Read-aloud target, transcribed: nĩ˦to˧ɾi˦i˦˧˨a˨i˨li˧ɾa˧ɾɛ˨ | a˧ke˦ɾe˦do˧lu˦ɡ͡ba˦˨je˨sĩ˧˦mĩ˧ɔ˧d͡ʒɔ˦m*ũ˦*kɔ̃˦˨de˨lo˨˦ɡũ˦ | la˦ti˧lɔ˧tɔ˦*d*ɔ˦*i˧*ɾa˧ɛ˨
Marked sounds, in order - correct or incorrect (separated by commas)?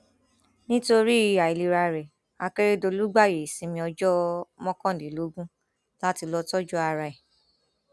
incorrect, incorrect, incorrect